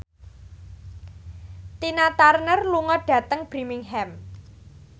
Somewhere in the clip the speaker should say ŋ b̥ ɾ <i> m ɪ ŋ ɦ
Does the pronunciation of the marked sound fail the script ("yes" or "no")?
no